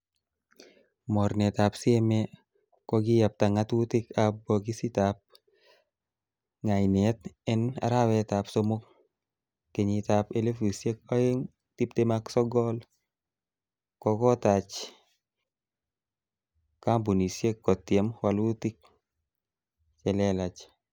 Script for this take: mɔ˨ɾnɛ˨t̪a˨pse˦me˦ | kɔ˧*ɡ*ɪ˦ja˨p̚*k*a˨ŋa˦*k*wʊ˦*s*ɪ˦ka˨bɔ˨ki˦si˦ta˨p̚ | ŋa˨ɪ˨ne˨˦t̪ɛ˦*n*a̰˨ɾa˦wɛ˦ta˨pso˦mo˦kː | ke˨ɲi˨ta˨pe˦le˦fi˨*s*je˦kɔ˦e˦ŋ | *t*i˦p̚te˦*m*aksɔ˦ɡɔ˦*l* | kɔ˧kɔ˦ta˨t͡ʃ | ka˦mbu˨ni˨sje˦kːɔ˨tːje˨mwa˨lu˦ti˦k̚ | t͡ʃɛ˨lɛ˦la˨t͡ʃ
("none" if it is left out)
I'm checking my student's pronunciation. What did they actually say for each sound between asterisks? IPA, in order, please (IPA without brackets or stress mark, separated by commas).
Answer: ɡ, t, t, t, n, s, t, m, l